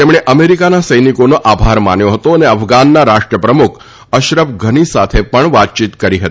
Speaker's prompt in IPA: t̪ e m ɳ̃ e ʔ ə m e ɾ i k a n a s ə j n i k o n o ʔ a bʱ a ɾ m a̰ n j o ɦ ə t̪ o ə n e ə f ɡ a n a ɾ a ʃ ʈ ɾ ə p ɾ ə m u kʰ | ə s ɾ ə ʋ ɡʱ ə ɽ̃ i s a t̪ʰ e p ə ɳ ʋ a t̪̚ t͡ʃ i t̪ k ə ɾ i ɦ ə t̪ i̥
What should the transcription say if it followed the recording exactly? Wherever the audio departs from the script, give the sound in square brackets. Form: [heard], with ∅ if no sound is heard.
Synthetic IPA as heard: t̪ e m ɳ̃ e ʔ ə m e ɾ i k a n a s ə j n i k o n o ʔ a bʱ a ɾ m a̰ n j o ɦ ə t̪ o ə n e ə f ɡ a [nː] a ɾ a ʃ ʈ ɾ ə p ɾ ə m u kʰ | ə [ʃ] ɾ ə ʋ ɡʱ ə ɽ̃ i s a t̪ʰ e p ə ɳ ʋ a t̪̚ t͡ʃ i t̪ k ə ɾ i ɦ ə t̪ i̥